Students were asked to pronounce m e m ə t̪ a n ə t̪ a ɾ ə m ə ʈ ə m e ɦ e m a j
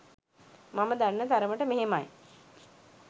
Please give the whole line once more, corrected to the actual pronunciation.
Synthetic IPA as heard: m a m ə d̪ a nː ə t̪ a ɾ ə m ə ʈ ə m e ɦ e m a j